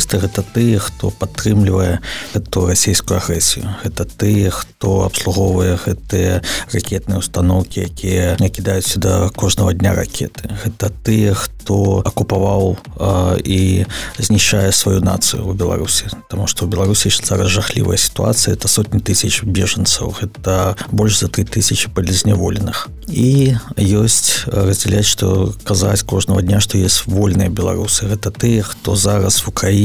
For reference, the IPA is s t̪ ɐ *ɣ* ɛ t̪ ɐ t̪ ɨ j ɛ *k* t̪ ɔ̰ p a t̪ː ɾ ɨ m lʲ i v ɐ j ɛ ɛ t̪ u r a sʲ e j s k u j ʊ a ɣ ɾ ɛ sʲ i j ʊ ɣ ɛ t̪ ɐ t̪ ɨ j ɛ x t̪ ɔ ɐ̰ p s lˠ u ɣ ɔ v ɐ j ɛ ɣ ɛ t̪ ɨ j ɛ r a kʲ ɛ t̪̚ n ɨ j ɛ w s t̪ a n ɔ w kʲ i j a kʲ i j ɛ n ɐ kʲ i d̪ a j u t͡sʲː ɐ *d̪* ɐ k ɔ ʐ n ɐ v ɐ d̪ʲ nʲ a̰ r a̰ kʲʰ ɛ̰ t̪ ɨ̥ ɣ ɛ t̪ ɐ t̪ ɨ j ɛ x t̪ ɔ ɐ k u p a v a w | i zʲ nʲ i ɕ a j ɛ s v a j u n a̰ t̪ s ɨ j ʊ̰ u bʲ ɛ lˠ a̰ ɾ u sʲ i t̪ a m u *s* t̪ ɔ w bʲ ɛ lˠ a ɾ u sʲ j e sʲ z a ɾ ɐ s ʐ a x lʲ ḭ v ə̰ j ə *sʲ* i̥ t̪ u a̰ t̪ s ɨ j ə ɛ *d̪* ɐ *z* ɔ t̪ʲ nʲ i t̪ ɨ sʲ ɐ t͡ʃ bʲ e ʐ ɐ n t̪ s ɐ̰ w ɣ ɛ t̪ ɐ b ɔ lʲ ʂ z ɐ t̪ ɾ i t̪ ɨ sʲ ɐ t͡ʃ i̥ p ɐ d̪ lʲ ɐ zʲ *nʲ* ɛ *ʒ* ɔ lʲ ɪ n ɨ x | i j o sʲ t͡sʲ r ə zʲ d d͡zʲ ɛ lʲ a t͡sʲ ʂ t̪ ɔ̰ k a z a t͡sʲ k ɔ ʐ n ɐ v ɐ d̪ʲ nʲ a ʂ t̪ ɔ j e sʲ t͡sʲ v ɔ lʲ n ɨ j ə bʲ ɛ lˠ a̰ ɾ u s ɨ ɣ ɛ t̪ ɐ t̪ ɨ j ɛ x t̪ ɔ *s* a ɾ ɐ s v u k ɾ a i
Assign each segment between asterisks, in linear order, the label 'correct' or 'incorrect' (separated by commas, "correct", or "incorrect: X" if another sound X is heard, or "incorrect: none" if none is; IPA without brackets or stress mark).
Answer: correct, incorrect: x, correct, incorrect: ʂ, correct, incorrect: t̪, incorrect: s, correct, incorrect: v, incorrect: z